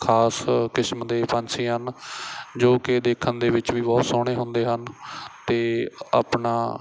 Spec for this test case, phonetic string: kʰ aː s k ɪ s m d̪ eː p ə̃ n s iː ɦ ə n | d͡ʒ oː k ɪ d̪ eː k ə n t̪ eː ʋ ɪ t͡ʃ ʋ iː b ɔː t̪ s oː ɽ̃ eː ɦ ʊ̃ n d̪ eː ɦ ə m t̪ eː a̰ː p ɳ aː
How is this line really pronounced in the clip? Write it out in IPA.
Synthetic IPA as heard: kʰ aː s k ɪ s m d̪ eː p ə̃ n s iː ɦ ə n | d͡ʒ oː k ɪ d̪ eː kʰ ə n d̪ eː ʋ ɪ t͡ʃ ʋ iː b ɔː t̪ s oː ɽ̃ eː ɦ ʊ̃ n d̪ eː ɦ ə n t̪ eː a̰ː p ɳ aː